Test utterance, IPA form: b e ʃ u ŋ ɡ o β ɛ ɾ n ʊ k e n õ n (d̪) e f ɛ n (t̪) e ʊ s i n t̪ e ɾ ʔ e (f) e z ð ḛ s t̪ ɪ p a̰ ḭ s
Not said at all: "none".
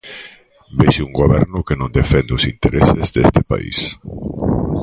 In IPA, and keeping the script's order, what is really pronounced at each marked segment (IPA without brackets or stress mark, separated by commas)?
d̪, d̪, s